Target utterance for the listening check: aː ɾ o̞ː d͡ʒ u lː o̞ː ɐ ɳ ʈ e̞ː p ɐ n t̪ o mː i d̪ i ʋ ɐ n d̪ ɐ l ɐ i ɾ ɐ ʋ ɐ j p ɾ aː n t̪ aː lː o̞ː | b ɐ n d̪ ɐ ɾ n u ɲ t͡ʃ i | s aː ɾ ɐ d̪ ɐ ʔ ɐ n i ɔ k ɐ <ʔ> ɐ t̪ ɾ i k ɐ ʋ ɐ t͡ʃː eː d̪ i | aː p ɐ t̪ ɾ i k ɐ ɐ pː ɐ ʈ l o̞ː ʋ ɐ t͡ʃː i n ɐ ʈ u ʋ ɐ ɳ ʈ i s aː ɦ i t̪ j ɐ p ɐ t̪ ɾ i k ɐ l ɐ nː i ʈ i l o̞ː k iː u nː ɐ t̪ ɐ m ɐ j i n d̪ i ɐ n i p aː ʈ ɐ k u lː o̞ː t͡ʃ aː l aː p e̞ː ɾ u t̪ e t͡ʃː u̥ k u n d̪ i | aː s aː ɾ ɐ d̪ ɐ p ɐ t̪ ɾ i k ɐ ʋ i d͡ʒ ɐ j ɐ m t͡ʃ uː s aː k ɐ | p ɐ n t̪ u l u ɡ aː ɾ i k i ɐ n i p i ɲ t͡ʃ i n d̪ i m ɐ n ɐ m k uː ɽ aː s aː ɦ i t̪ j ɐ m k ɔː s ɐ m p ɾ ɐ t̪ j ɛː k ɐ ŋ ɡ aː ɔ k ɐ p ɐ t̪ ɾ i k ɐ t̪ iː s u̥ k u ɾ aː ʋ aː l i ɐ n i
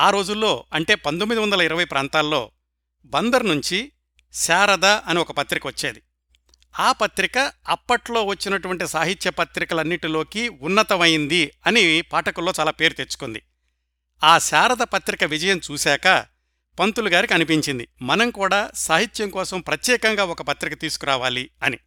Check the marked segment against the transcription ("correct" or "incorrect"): incorrect